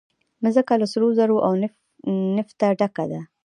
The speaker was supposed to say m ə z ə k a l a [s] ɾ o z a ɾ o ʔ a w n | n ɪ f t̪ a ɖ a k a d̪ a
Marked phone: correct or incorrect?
correct